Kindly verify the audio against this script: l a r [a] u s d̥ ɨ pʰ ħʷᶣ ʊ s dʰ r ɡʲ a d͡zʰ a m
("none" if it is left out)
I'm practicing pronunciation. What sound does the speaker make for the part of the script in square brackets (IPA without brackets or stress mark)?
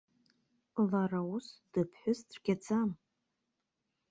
a